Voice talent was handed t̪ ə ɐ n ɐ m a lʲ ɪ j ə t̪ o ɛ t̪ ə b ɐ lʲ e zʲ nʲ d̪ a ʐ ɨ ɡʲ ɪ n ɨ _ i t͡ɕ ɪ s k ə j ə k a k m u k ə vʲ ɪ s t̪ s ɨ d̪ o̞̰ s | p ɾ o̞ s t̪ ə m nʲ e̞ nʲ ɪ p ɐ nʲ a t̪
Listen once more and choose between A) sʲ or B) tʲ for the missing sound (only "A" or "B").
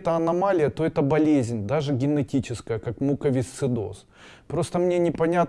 B